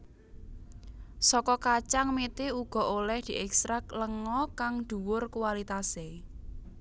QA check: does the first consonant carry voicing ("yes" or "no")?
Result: no